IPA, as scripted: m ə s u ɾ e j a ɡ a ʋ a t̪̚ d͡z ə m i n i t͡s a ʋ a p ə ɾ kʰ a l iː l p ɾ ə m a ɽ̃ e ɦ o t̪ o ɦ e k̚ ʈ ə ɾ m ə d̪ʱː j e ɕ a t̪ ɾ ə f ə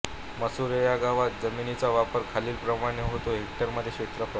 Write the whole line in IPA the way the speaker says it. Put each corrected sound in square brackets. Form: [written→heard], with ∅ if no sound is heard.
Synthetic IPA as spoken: m ə s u ɾ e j a ɡ a ʋ a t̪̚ d͡z ə m i n i t͡s a ʋ a p ə ɾ kʰ a l iː l p ɾ ə m a ɽ̃ e ɦ o t̪ o ɦ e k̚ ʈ ə ɾ m ə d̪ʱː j e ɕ [a→e] t̪ ɾ ə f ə